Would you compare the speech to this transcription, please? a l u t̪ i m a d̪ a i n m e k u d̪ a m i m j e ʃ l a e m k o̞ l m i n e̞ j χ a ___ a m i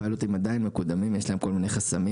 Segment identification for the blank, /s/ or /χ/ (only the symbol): s